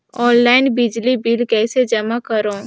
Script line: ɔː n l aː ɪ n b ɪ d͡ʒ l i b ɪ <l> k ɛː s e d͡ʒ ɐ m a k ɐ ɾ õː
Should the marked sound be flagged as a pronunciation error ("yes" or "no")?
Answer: no